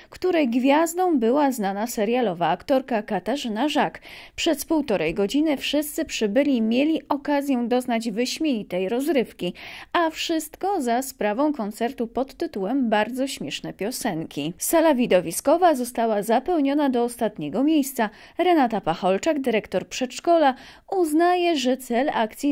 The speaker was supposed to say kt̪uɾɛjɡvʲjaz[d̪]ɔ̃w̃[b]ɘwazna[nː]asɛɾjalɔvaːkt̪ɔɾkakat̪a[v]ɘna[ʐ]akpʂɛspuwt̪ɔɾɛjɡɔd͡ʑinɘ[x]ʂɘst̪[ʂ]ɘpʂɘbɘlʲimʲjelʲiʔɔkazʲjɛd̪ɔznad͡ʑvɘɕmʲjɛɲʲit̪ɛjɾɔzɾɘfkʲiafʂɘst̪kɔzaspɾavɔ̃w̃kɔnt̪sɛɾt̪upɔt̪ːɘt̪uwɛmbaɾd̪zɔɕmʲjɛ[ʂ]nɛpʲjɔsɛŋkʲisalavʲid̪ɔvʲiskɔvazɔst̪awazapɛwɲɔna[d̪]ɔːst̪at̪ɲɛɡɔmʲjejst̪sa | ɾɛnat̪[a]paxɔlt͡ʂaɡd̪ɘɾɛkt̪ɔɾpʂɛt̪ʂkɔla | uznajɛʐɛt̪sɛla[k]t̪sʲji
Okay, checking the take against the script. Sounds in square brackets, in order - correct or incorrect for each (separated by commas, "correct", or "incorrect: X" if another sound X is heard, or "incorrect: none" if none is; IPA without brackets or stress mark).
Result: correct, correct, incorrect: n, incorrect: ʐ, correct, incorrect: f, incorrect: s, correct, correct, correct, correct